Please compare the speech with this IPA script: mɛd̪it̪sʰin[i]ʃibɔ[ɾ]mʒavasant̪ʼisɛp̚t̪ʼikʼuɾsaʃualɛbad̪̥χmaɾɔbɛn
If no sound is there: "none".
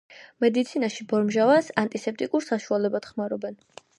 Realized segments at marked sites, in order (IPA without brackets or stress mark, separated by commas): a, ɾ